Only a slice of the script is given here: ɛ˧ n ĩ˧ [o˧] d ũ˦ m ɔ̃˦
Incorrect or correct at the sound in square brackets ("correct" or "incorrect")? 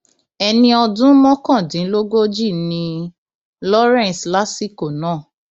incorrect